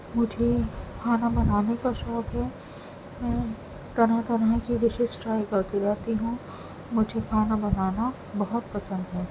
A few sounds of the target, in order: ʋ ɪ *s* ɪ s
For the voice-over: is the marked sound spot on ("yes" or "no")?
no